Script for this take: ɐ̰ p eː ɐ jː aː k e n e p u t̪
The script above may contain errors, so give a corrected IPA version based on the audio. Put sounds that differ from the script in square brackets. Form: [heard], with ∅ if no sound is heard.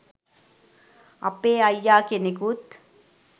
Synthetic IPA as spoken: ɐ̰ p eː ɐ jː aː k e n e [k] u t̪